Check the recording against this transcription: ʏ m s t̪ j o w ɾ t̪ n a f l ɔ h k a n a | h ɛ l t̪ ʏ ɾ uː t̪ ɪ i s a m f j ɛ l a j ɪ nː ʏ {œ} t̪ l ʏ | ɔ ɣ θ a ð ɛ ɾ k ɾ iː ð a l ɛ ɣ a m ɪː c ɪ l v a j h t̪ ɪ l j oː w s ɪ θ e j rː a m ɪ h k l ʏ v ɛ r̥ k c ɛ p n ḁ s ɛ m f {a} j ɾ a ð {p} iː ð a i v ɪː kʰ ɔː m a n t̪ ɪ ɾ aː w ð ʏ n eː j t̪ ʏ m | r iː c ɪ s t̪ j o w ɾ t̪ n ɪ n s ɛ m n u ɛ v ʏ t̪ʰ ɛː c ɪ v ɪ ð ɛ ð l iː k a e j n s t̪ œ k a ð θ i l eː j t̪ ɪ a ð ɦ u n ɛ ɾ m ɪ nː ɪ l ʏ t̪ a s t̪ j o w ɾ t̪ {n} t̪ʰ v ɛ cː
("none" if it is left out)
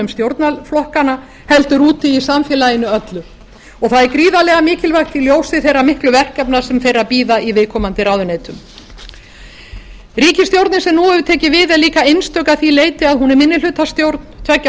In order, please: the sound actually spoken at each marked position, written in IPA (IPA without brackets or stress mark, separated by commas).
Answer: œ, e, p, n